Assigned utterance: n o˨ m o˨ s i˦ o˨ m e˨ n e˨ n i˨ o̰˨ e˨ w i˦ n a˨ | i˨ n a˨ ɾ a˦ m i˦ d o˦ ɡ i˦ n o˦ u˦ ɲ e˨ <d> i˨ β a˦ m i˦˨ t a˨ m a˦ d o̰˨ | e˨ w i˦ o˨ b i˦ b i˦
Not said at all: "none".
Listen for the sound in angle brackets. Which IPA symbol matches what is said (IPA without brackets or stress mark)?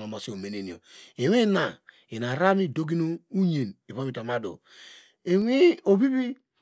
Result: n